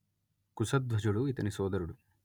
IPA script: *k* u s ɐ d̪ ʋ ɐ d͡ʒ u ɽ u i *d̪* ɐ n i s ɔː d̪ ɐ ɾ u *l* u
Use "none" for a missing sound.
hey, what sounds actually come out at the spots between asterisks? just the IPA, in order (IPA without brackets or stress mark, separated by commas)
k, t̪, ɽ